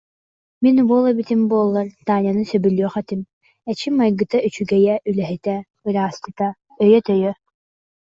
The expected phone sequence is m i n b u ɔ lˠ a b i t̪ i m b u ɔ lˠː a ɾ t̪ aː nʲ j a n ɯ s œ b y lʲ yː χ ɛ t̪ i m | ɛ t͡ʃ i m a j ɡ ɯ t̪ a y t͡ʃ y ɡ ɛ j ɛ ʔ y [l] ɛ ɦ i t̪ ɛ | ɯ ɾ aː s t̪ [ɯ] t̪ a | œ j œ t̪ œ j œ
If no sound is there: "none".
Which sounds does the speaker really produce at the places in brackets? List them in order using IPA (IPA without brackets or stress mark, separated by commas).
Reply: l, ɯ